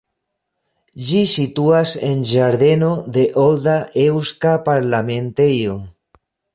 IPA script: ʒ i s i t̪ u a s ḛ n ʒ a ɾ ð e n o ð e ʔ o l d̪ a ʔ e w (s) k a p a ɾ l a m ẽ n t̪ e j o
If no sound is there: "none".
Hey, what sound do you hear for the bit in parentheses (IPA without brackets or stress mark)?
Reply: s